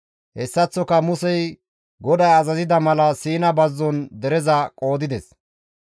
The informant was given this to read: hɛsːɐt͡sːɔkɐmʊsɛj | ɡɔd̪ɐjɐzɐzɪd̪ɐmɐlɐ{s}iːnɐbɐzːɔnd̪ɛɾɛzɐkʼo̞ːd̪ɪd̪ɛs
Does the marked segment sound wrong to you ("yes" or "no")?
no